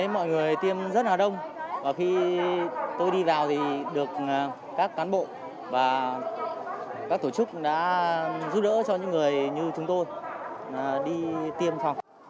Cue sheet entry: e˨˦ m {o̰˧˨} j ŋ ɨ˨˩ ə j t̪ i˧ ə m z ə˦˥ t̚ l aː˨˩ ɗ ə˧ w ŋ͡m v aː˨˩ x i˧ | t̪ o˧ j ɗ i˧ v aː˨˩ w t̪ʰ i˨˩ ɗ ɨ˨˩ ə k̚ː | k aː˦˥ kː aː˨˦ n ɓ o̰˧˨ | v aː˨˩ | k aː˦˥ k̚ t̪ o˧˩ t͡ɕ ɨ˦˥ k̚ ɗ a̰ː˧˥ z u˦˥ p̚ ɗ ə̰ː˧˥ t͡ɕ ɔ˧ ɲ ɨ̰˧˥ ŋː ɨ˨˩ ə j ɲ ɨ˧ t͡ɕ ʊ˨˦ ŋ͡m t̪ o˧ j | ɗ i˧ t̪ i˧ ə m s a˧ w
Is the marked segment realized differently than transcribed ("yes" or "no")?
yes